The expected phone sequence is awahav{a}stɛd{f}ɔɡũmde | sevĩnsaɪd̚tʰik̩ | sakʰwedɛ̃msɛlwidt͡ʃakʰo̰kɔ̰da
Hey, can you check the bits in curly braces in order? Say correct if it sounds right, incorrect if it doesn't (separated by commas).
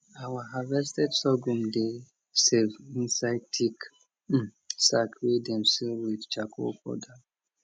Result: incorrect, incorrect